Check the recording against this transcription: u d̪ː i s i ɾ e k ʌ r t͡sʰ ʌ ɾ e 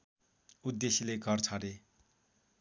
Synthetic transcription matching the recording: u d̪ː e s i l e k ʌ r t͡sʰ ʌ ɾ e